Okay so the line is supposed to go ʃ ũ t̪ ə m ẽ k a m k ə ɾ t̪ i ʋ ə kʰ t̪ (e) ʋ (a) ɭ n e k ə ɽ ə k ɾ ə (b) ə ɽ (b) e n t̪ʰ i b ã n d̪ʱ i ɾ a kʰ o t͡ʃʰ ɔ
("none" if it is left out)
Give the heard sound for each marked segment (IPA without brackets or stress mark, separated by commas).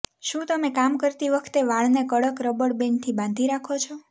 e, a, b, b